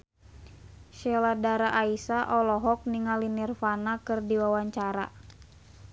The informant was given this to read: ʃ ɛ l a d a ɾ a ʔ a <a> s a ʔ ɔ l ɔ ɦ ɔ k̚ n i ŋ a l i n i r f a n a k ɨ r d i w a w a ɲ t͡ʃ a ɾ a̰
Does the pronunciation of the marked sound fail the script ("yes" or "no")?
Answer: yes